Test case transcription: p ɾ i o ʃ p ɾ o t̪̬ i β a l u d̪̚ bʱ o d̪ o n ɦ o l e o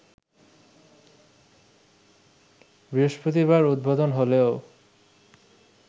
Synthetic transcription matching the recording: b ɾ i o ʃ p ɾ o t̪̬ i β a ɾ u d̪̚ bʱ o d̪ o n ɦ o l e o